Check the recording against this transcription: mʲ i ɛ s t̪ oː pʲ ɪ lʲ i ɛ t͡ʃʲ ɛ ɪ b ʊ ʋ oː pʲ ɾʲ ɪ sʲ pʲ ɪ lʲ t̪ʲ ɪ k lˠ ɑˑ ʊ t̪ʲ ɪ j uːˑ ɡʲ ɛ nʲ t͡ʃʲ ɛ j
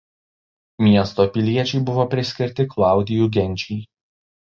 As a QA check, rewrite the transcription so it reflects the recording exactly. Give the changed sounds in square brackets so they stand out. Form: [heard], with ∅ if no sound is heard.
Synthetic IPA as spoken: mʲ i ɛ s t̪ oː pʲ ɪ lʲ i ɛ t͡ʃʲ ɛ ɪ b ʊ ʋ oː pʲ ɾʲ ɪ sʲ [kʲ] ɪ [ɾʲ] t̪ʲ ɪ k lˠ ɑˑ ʊ [d̪ʲ] ɪ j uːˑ ɡʲ ɛ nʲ t͡ʃʲ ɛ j